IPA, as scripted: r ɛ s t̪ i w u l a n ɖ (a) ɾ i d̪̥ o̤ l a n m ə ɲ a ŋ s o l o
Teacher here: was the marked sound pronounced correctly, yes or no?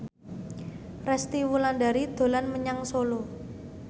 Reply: yes